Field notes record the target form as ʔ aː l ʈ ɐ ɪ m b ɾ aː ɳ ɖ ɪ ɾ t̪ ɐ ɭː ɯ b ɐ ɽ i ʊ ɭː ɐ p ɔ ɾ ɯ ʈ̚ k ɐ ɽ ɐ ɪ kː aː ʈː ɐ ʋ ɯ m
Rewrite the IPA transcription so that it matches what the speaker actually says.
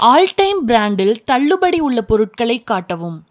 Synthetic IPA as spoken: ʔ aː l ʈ ɐ ɪ m b ɾ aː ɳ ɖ ɪ l t̪ ɐ ɭː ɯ b ɐ ɽ i ʊ ɭː ɐ p ɔ ɾ ɯ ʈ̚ k ɐ ɭ ɐ ɪ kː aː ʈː ɐ ʋ ɯ m